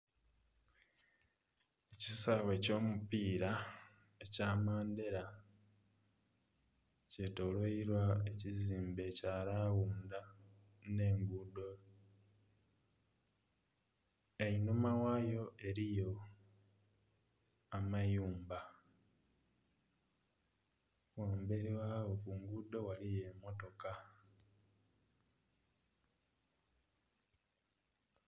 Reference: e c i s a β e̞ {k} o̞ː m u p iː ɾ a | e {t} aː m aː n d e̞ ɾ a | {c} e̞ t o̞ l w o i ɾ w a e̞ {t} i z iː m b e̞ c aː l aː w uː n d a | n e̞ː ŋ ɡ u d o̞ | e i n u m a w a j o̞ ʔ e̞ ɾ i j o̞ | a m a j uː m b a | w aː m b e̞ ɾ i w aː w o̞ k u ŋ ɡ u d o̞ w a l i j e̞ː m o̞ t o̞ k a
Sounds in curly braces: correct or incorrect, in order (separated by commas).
incorrect, incorrect, correct, incorrect